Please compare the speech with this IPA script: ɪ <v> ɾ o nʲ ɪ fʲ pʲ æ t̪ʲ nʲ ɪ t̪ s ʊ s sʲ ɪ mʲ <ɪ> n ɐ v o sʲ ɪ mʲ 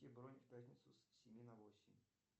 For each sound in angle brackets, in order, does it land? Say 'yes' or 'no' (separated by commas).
no, no